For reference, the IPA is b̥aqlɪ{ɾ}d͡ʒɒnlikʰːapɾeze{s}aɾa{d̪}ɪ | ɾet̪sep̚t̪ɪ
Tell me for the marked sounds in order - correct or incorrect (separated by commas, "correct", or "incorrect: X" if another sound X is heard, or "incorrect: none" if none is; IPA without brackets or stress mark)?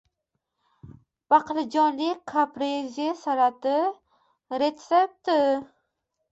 incorrect: none, correct, incorrect: t̪